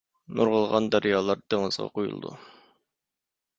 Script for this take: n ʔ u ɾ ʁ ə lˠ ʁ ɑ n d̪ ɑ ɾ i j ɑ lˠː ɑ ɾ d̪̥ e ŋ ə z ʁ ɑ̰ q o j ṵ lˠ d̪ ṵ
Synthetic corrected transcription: n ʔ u ɾ ʁ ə lˠ ʁ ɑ n d̪ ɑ ɾ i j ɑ lˠ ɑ ɾ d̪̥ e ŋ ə z ʁ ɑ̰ q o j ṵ lˠ d̪ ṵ